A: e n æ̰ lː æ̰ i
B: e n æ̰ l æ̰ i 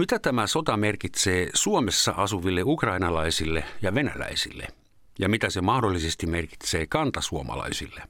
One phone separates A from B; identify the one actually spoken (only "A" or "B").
B